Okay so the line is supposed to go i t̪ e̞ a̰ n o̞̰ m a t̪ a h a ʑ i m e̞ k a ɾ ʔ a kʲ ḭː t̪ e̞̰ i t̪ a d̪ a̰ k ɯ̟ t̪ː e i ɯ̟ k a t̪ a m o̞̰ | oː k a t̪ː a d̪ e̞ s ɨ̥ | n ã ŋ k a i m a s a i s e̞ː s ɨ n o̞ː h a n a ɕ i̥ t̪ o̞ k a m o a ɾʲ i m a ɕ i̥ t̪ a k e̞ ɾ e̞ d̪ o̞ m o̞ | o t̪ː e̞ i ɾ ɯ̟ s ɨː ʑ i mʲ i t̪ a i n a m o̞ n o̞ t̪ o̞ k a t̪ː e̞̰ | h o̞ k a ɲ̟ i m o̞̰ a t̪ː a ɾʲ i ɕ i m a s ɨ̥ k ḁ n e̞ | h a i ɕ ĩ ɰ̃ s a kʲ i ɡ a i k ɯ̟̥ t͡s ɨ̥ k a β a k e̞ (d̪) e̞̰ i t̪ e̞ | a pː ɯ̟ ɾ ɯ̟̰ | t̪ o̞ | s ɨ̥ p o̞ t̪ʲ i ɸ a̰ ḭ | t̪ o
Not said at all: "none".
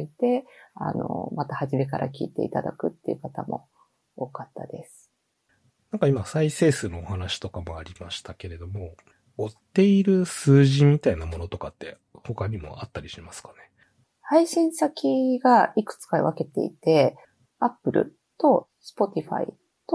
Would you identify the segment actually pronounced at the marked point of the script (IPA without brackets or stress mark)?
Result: t̪